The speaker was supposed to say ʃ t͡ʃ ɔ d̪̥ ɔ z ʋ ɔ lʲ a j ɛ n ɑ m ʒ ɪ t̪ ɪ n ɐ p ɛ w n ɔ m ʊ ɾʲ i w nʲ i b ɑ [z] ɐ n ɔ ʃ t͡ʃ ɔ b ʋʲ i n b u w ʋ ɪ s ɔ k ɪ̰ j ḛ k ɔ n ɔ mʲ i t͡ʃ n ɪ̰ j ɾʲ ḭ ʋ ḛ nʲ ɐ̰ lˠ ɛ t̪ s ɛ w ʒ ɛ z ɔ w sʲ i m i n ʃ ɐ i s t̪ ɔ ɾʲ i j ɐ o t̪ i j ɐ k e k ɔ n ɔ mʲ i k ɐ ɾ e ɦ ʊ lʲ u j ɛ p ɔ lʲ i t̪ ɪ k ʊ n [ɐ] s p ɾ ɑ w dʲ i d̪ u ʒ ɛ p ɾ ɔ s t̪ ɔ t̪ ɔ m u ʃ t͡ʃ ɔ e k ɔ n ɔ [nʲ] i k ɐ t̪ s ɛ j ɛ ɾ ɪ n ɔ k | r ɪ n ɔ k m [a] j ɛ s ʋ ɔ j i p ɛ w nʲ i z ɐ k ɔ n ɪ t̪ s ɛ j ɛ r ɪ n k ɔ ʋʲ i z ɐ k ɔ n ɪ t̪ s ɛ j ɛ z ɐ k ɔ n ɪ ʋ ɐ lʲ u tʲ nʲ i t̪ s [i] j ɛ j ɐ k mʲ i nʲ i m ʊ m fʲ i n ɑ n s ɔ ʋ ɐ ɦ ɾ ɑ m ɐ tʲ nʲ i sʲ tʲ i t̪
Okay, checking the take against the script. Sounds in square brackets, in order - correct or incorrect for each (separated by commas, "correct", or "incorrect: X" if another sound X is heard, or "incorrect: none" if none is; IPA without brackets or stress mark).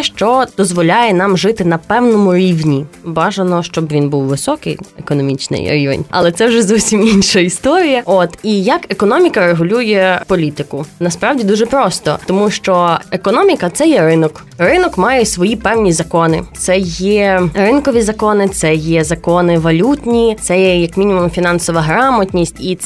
incorrect: ʒ, correct, incorrect: mʲ, incorrect: ɑ, incorrect: ɛ